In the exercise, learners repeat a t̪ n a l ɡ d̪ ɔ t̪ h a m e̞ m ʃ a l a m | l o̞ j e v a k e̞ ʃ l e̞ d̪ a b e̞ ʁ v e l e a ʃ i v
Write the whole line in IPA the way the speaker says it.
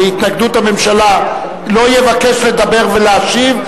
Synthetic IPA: i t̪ n a ɡ d̪ u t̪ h a m e̞ m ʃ a l a | l o̞ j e v a k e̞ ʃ l e̞ d̪ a b e̞ ʁ v e l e a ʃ i v